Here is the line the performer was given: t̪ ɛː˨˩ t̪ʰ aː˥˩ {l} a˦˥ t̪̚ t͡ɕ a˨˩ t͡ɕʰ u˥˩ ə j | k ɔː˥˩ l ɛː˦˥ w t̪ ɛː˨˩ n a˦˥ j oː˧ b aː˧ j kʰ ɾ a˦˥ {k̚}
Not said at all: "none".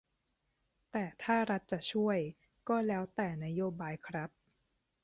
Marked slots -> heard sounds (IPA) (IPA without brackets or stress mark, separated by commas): ɾ, p̚